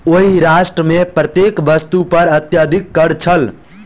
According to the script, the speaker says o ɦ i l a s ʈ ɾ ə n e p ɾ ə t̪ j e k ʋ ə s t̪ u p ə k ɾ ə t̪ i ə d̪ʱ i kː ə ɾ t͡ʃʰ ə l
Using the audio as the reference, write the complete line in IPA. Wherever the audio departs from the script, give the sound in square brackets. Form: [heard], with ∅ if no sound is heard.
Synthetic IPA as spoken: o ɦ i [ɾ] a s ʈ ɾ ə [m] e p ɾ ə t̪ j e k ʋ ə s t̪ u p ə [∅] ɾ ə t̪ [j] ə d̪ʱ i kː ə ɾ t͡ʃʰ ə l